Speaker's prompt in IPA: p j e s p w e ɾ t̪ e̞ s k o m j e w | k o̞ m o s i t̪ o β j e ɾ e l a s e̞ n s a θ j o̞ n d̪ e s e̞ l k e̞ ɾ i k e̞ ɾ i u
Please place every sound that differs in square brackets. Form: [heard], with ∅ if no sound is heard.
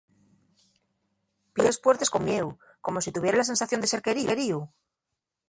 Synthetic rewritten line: p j e s p w e ɾ t̪ e̞ s k o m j e w | k o̞ m o s i t̪ [u] β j e ɾ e l a s e̞ n s a θ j o̞ n d̪ e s e̞ [ɾ] k e̞ ɾ i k e̞ ɾ i u